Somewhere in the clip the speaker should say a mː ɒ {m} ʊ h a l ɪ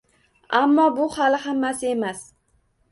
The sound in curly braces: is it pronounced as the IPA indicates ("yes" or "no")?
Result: no